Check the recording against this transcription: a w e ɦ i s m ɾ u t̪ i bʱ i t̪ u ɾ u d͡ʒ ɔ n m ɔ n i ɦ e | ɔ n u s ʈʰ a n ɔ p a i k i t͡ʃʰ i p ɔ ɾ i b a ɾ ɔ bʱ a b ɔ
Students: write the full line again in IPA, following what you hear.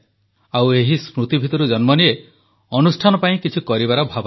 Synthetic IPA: a w e ɦ i s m ɾ u t̪ i bʱ i t̪ ɔ ɾ u d͡ʒ ɔ n m ɔ n i e | ɔ n u s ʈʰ a n ɔ p a ĩ k i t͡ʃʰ i k ɔ ɾ i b a ɾ ɔ bʱ a b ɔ